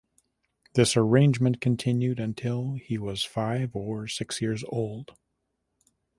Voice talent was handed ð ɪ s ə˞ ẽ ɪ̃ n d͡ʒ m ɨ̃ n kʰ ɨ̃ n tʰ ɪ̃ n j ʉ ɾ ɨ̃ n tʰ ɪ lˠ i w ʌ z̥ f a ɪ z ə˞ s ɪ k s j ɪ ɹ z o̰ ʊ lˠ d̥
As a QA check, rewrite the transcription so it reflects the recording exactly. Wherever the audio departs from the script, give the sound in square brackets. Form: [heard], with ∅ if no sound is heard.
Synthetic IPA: ð ɪ s ə˞ ẽ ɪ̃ n d͡ʒ m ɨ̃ n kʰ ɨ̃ n tʰ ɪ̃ n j ʉ ɾ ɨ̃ n tʰ ɪ lˠ i w ʌ z̥ f a ɪ [v] ə˞ s ɪ k s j ɪ ɹ z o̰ ʊ lˠ d̥

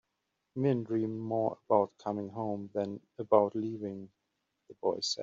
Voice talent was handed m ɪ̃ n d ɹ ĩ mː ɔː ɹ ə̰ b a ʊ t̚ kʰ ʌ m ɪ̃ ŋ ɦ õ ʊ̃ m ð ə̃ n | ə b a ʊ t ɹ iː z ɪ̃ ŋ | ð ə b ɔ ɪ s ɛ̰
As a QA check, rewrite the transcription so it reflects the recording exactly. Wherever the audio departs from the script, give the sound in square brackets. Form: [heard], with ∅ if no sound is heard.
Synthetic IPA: m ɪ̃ n d ɹ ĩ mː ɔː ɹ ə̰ b a ʊ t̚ kʰ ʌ m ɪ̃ ŋ ɦ õ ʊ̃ m ð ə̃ n | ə b a ʊ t [l] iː [v] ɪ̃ ŋ | ð ə b ɔ ɪ s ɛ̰

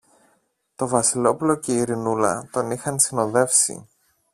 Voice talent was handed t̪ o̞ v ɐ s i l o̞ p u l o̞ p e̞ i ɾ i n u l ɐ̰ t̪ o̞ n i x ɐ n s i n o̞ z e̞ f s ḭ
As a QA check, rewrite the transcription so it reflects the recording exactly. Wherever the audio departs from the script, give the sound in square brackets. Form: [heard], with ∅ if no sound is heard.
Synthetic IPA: t̪ o̞ v ɐ s i l o̞ p u l o̞ [c] e̞ i ɾ i n u l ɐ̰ t̪ o̞ n i x ɐ n s i n o̞ [ð] e̞ f s ḭ

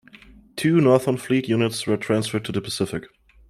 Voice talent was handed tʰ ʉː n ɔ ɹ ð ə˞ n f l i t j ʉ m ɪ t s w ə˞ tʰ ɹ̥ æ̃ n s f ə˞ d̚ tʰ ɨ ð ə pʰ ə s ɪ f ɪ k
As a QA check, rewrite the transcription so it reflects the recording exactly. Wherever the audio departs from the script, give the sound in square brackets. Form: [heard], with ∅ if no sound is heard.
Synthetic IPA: tʰ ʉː n ɔ ɹ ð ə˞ n f l i t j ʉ [n] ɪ t s w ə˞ tʰ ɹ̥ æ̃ n s f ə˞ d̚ tʰ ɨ ð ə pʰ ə s ɪ f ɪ k

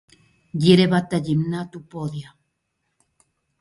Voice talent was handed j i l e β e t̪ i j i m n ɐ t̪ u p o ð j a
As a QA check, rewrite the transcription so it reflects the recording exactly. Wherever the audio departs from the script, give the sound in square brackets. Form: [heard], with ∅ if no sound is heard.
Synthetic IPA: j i [ɾ] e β [a] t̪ [a] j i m n [a] t̪ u p o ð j a

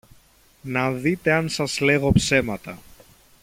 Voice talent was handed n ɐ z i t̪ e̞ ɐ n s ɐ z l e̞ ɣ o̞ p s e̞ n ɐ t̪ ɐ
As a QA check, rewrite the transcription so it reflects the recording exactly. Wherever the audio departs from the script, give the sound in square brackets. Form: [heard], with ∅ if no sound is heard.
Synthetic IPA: n ɐ [ð] i t̪ e̞ ɐ n s ɐ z l e̞ ɣ o̞ p s e̞ [m] ɐ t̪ ɐ

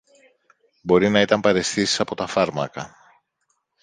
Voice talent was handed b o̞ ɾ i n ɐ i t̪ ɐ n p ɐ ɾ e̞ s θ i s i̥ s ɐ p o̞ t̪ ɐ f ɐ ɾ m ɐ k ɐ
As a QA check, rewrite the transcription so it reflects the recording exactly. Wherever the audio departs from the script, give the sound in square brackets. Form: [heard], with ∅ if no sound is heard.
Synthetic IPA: b o̞ ɾ i n ɐ i t̪ ɐ [m] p ɐ ɾ e̞ s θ i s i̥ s ɐ p o̞ t̪ ɐ f ɐ ɾ m ɐ k ɐ

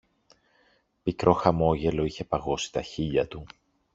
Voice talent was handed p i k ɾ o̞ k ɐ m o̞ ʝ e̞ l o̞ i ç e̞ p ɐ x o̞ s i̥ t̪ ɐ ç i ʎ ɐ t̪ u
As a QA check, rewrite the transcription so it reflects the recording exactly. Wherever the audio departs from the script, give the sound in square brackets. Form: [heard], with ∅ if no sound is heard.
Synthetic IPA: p i k ɾ o̞ [x] ɐ m o̞ ʝ e̞ l o̞ i ç e̞ p ɐ [ɣ] o̞ s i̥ t̪ ɐ ç i ʎ ɐ t̪ u

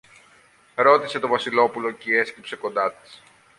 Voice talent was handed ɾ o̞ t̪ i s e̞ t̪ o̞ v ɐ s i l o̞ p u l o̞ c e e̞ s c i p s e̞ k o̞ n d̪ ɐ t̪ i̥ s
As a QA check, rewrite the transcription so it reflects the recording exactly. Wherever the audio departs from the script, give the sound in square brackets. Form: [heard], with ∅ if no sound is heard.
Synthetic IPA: ɾ o̞ t̪ i s e̞ t̪ o̞ v ɐ s i l o̞ p u l o̞ c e e̞ s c i p s e̞ k o̞ n d̪ ɐ t̪ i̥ s

